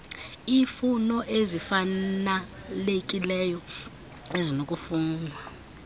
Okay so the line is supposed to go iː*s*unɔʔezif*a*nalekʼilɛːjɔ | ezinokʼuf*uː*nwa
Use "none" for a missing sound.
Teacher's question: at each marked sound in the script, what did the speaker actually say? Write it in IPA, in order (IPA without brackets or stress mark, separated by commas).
f, a, uː